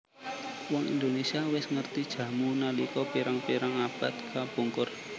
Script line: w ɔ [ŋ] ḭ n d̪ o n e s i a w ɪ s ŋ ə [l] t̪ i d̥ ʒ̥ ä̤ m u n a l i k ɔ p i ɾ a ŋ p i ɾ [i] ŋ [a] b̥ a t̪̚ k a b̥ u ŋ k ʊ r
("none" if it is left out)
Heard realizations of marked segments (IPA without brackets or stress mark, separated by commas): ŋ, r, a, a